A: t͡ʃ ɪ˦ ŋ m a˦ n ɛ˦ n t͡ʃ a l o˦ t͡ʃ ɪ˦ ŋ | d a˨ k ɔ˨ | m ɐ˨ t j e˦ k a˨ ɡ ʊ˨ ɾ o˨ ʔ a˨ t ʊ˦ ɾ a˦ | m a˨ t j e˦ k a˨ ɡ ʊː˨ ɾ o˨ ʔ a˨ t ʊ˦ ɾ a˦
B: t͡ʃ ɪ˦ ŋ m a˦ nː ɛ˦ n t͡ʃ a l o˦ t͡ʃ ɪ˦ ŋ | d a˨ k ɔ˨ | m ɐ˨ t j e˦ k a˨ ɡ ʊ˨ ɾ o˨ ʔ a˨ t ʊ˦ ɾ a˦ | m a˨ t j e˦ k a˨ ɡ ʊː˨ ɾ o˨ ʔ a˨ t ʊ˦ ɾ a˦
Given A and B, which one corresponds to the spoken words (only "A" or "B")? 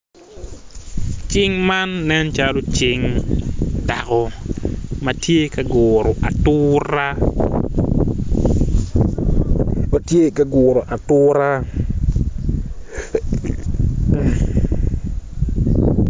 B